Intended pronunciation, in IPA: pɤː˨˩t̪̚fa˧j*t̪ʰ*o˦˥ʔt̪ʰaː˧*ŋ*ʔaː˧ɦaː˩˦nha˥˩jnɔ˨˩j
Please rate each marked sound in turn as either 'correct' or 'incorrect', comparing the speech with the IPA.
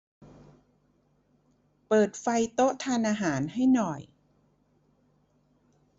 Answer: incorrect: t̪, incorrect: n

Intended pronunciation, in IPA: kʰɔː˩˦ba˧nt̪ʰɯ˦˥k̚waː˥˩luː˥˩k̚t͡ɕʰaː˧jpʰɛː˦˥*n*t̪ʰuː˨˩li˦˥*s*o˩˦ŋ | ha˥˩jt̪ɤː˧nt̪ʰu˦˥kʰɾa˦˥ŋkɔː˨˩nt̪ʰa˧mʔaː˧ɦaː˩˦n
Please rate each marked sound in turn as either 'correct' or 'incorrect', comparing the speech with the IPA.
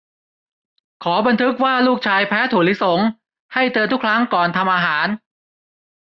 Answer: incorrect: none, correct

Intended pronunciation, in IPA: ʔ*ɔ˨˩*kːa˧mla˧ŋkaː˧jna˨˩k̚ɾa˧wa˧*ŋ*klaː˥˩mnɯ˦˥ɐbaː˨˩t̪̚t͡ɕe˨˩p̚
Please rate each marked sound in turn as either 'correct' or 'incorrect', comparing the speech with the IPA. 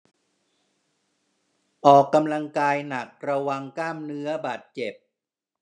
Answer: incorrect: ɔː˨˩, correct

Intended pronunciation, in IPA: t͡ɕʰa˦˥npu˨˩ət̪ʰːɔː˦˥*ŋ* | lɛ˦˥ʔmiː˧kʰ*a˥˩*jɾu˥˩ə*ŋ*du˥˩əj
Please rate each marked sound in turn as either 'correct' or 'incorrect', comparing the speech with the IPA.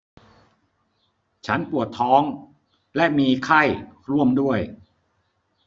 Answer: correct, correct, incorrect: m

